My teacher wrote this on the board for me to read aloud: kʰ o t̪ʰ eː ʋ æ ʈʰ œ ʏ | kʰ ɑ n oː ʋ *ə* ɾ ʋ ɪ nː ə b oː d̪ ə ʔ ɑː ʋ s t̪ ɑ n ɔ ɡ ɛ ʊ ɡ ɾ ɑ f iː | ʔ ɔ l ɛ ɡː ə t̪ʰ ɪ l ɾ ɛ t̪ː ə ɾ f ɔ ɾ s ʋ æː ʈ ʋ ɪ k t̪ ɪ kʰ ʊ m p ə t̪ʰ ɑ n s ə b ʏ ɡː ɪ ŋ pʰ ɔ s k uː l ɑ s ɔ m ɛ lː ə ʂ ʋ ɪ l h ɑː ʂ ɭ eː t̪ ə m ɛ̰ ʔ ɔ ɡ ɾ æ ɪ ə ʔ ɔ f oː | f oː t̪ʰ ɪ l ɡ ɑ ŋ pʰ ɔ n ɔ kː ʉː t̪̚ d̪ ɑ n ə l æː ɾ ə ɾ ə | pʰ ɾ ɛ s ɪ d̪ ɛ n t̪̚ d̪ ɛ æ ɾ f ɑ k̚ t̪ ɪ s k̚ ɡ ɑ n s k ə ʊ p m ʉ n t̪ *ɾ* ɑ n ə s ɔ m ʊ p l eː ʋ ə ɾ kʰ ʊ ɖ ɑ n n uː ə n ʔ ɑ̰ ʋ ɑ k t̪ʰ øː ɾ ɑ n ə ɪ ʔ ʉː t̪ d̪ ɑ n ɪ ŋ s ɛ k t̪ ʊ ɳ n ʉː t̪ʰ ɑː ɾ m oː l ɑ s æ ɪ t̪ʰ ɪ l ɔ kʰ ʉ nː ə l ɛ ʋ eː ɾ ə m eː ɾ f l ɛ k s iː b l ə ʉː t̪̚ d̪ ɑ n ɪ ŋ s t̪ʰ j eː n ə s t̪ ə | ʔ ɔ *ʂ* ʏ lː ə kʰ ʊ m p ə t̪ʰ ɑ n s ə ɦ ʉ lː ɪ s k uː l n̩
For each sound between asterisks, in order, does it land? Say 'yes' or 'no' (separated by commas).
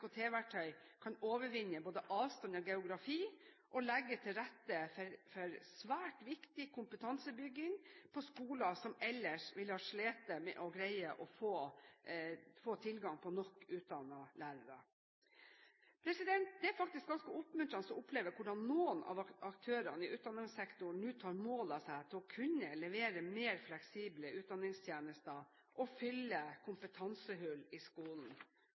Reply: yes, yes, no